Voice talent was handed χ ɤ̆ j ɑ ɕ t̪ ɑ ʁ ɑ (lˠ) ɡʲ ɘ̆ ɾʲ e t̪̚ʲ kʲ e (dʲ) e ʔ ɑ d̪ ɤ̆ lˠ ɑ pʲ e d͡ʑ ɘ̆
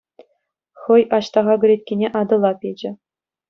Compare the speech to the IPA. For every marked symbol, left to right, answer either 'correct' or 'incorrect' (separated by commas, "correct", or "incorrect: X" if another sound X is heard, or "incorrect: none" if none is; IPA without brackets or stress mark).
incorrect: none, incorrect: nʲ